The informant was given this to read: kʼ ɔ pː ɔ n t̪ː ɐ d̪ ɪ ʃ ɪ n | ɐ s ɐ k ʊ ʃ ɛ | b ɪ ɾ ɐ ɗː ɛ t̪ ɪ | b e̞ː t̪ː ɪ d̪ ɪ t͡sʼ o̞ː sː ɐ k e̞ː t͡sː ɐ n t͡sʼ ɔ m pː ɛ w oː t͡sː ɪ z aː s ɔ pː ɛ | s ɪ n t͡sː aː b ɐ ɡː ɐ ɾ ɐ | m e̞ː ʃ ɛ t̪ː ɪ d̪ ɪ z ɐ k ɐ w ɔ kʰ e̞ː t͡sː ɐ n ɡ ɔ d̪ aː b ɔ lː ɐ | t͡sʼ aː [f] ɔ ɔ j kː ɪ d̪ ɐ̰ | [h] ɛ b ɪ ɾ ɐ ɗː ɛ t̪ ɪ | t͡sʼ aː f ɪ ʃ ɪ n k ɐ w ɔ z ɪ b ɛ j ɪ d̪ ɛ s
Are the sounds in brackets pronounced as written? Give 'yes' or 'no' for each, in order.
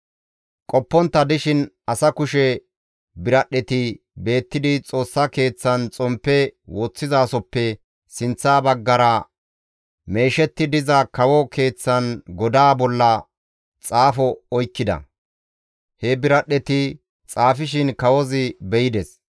yes, yes

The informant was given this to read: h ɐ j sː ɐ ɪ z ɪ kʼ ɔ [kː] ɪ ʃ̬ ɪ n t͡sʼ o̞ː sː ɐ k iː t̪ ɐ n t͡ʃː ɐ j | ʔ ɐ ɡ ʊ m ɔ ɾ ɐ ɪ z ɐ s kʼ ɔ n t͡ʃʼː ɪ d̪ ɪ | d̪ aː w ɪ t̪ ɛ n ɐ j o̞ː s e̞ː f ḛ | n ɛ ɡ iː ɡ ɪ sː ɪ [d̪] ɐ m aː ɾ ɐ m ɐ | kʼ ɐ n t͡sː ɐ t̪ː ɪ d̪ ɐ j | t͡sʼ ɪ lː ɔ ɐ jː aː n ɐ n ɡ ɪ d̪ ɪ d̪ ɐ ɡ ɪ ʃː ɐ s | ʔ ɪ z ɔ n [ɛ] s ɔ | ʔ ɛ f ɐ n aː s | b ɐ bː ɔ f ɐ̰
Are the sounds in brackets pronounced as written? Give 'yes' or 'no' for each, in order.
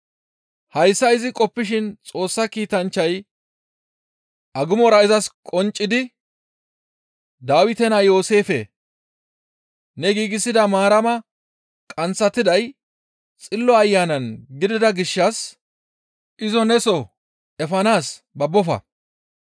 no, yes, yes

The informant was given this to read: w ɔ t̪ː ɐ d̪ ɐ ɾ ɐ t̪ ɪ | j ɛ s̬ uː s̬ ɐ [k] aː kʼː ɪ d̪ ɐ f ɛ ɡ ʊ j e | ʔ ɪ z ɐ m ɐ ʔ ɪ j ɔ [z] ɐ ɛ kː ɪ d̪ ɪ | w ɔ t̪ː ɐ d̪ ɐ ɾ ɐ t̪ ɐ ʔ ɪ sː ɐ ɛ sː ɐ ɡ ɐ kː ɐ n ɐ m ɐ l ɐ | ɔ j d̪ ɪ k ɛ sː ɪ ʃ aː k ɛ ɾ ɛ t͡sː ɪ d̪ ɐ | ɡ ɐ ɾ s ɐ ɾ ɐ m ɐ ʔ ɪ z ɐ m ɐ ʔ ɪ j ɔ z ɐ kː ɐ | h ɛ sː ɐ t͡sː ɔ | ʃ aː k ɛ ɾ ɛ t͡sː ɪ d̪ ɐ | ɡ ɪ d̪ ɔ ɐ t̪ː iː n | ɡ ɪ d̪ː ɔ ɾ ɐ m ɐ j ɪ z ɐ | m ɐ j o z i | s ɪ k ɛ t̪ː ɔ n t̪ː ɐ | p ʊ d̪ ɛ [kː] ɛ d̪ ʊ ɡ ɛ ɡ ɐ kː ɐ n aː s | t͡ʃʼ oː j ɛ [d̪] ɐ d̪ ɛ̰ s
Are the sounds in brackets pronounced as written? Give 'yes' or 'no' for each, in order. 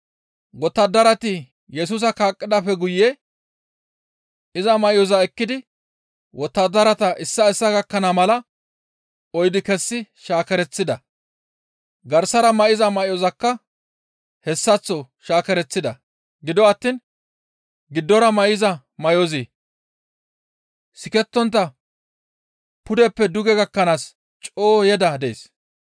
yes, yes, no, yes

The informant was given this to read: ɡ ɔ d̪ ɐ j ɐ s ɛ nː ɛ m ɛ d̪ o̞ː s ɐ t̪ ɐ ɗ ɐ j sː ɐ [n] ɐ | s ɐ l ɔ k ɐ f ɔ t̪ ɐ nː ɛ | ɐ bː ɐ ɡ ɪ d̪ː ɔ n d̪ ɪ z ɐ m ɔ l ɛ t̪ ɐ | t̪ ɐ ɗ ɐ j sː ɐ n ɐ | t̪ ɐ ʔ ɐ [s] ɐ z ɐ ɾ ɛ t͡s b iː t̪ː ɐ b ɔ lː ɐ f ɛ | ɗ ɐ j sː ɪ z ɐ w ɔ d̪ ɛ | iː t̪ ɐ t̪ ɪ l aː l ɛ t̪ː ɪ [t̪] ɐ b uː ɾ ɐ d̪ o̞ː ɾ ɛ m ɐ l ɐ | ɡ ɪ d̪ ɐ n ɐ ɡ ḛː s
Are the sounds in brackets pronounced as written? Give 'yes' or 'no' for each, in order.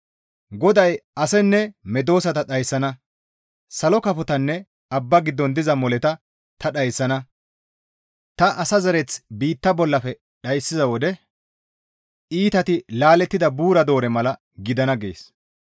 yes, yes, no

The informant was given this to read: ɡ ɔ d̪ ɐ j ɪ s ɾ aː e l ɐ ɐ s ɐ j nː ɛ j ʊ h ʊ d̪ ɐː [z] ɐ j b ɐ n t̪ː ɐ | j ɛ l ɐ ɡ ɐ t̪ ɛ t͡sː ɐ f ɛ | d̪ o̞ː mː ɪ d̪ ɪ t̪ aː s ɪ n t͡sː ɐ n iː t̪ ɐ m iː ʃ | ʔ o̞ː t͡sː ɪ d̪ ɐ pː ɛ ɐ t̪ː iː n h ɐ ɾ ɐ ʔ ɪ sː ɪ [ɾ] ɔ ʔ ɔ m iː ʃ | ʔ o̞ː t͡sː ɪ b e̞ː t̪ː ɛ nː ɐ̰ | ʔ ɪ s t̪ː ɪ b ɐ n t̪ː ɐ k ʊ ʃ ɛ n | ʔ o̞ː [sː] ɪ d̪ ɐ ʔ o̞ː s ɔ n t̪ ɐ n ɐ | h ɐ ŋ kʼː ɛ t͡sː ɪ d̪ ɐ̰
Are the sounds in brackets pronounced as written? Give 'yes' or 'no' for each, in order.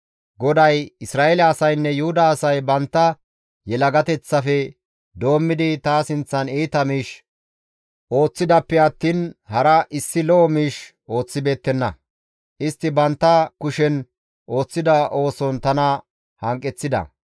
no, no, no

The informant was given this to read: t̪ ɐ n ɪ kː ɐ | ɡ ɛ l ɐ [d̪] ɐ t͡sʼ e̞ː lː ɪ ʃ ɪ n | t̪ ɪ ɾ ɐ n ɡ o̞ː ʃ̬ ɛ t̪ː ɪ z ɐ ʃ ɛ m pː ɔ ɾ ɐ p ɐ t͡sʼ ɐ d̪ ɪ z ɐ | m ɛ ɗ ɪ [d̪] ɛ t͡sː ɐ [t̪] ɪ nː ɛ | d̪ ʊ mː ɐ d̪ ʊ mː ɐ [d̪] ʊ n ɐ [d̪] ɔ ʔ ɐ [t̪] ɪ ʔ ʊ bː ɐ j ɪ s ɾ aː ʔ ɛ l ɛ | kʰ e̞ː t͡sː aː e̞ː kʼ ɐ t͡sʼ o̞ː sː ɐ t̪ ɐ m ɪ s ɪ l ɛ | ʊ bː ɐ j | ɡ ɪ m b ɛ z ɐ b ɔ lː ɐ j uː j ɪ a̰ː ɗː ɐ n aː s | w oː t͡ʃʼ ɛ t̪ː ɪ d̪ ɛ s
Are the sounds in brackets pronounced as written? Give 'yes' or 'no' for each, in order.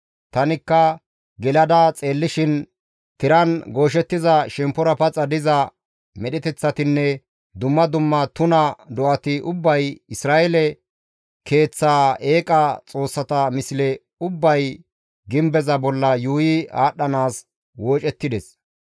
yes, no, yes, no, yes, yes

